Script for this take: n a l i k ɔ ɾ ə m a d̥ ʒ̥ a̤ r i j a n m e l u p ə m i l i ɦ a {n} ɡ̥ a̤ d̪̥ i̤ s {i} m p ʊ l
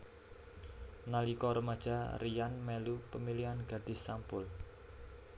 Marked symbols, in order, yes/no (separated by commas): yes, no